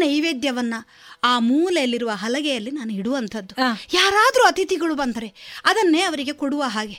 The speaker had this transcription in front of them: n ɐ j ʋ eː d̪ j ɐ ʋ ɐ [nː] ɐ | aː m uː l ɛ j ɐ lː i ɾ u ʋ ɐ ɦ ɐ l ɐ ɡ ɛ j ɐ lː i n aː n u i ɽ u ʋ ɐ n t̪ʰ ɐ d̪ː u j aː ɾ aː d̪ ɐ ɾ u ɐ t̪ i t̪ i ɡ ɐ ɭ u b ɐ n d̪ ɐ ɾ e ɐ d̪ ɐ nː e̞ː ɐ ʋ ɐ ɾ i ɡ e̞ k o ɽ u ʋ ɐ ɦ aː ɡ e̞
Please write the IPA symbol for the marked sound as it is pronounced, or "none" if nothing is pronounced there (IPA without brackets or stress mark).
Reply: nː